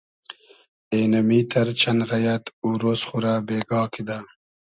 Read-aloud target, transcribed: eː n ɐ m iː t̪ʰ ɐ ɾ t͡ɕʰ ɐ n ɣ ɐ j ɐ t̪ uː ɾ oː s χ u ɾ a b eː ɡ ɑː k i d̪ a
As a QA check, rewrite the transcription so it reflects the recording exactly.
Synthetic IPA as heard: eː n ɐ m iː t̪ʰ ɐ ɾ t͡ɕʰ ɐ n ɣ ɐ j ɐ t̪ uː ɾ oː s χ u ɾ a b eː ɡ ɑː k i d̪ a